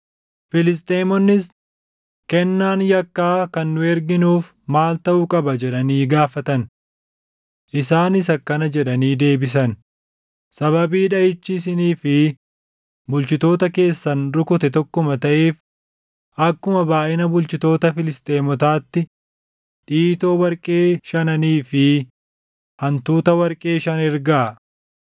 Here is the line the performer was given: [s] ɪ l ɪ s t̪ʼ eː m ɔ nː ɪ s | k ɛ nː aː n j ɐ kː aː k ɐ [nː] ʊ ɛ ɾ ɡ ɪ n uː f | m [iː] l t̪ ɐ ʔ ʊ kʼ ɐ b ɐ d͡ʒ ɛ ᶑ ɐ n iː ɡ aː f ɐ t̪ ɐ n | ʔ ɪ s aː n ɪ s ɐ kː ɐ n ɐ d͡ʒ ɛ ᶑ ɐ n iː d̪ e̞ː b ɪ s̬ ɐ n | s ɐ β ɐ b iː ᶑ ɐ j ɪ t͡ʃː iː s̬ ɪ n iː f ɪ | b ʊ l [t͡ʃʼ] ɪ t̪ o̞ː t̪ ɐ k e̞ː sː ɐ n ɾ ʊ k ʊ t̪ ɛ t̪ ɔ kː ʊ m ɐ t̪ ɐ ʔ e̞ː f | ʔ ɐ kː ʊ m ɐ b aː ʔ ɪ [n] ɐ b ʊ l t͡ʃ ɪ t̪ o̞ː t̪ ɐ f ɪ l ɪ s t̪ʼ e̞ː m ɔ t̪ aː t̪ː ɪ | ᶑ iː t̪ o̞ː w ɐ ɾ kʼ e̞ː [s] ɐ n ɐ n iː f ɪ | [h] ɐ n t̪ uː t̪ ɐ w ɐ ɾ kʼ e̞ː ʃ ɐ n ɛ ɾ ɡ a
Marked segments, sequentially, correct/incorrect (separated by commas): incorrect, correct, incorrect, incorrect, correct, incorrect, correct